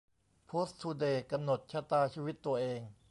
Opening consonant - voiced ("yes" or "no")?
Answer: no